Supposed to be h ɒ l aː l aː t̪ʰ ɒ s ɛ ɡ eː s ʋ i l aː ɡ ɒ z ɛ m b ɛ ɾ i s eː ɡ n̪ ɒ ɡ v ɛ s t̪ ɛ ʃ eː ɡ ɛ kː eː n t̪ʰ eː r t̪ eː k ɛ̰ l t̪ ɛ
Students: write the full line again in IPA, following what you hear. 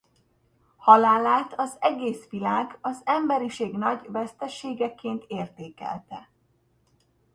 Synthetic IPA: h ɒ l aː l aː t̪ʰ ɒ z ɛ ɡ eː s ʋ i l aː ɡ ɒ z ɛ m b ɛ ɾ i ʃ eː ɡ n̪ ɒ ɟ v ɛ s t̪ ɛ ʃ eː ɡ ɛ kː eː n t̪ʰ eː r t̪ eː k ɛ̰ l t̪ ɛ